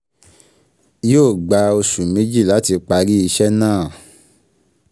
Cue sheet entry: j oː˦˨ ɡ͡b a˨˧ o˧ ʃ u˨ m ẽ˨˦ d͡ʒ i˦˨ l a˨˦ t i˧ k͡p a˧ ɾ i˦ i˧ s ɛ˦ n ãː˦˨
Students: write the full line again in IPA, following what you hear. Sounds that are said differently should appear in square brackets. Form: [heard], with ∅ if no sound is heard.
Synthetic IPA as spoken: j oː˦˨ ɡ͡b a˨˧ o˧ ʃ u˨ m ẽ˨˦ d͡ʒ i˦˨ l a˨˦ t i˧ k͡p a˧ ɾ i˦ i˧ [ʃ] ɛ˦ n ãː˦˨